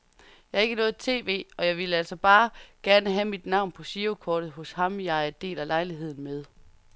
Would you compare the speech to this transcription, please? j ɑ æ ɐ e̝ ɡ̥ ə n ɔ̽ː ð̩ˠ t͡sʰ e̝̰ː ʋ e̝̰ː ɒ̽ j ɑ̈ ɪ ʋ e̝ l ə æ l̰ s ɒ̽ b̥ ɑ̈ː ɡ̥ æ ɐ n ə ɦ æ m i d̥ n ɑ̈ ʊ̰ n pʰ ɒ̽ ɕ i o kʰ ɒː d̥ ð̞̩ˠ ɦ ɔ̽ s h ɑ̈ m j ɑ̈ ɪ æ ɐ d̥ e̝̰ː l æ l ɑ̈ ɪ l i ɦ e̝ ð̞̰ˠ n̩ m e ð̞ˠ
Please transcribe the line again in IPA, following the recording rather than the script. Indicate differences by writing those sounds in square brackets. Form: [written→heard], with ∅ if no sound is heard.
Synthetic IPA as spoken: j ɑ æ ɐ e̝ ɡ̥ ə n ɔ̽ː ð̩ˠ t͡sʰ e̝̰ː ʋ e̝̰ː ɒ̽ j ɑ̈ ɪ ʋ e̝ l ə æ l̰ s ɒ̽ b̥ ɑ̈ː ɡ̥ æ ɐ n ə ɦ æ m i d̥ n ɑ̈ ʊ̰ n pʰ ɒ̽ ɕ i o kʰ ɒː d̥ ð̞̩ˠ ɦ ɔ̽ s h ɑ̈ m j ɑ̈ ɪ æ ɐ d̥ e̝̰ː l æ l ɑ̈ ɪ l i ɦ e̝ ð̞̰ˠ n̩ m e ð̞ˠ